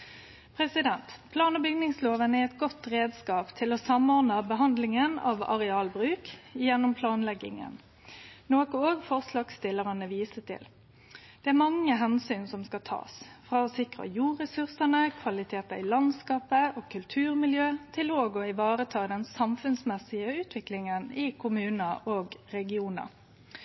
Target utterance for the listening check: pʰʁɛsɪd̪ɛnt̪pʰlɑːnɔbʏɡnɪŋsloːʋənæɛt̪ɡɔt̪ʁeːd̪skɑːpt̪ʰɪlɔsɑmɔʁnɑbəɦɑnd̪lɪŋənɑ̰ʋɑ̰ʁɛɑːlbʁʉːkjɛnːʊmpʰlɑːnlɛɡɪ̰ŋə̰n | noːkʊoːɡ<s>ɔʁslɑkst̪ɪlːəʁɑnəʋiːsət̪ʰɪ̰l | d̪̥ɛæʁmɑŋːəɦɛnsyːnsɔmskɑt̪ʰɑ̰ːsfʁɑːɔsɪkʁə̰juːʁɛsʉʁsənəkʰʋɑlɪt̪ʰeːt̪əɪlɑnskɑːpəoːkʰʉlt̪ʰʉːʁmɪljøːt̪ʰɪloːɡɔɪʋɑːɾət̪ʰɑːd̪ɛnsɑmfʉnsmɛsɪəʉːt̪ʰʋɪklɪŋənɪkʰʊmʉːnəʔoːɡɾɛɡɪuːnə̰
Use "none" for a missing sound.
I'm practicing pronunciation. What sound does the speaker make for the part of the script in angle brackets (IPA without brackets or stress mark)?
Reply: f